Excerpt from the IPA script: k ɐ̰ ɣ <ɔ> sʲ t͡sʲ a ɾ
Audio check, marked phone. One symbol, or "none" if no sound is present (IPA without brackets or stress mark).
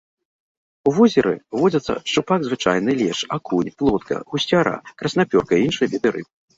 u